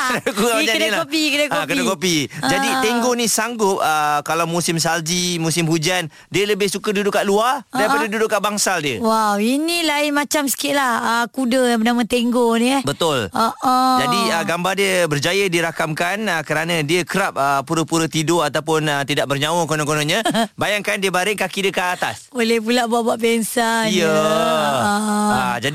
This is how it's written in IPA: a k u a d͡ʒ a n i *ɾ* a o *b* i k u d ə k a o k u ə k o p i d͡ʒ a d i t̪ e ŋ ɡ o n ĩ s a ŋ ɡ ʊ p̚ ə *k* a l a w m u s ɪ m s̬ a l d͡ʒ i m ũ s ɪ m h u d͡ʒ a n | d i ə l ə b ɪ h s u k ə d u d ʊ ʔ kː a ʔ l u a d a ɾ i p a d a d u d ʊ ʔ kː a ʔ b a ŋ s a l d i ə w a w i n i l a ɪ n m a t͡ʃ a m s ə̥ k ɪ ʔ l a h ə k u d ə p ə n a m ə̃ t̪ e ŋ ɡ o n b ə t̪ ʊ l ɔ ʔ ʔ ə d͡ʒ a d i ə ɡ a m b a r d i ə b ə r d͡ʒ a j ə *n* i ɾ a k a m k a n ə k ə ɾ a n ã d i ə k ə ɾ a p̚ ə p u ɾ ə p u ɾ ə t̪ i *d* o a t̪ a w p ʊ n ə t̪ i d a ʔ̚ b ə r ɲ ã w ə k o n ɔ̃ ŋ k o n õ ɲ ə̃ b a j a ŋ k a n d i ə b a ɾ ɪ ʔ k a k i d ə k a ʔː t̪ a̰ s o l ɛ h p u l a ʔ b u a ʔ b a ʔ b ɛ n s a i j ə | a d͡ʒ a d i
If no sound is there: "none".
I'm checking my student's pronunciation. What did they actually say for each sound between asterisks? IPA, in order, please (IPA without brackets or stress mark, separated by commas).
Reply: l, p, k, d, d